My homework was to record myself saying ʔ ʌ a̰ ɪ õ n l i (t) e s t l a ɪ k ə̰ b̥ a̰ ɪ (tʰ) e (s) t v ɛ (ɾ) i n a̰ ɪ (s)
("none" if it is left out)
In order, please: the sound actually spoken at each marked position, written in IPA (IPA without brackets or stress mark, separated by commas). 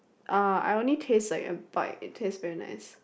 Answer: tʰ, tʰ, s, ɹ, s